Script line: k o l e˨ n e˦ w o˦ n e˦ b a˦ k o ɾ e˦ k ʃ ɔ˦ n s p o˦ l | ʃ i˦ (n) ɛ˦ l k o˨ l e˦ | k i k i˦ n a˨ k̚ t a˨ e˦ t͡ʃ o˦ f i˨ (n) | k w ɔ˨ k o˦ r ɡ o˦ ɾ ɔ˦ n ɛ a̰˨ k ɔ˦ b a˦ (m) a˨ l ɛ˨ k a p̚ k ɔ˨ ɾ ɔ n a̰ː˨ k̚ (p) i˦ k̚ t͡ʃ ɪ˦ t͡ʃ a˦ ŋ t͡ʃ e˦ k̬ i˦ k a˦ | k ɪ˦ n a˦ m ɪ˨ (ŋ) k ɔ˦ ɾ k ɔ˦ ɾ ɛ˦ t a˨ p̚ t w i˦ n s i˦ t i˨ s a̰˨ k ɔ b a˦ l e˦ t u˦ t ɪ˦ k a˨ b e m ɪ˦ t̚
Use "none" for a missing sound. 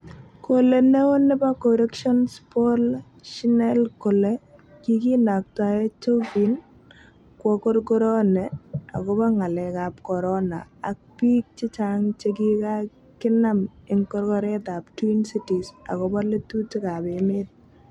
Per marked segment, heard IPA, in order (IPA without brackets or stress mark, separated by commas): n, n, ŋ, p, ŋ